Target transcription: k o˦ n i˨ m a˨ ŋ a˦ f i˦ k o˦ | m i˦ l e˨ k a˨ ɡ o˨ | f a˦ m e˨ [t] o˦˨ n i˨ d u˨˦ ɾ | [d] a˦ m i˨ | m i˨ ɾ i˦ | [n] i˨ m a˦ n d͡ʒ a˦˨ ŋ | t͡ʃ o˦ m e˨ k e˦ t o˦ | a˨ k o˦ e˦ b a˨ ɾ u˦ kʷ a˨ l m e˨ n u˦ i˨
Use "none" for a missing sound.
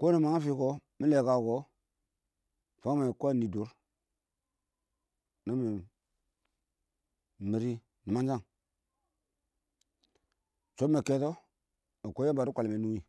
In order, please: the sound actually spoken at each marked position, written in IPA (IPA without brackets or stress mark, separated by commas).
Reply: k, n, n